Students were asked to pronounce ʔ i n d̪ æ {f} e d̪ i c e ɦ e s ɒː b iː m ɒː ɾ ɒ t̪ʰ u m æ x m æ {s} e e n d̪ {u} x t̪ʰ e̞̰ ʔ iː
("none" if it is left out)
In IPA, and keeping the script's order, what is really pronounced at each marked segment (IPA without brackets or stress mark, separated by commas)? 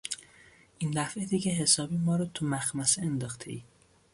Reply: f, s, ɒ